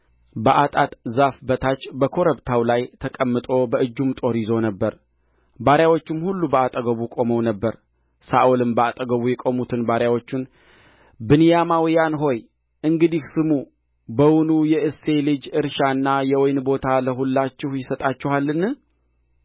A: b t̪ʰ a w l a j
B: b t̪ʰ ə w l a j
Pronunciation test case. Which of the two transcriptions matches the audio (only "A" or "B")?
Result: A